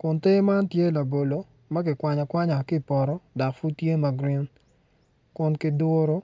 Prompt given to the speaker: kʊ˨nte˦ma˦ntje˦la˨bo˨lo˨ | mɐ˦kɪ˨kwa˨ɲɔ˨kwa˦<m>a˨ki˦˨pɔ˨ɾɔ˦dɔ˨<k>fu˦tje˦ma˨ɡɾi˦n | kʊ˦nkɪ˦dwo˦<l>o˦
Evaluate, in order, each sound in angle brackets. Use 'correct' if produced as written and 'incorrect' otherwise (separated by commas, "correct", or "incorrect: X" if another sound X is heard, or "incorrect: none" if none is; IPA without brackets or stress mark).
incorrect: ɲ, correct, incorrect: ɾ